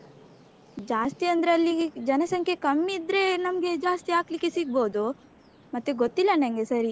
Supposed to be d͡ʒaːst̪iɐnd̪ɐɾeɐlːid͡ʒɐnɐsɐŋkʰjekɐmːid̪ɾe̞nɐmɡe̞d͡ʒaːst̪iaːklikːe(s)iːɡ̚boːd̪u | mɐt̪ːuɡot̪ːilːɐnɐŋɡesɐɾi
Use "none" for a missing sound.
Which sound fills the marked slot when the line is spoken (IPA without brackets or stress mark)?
s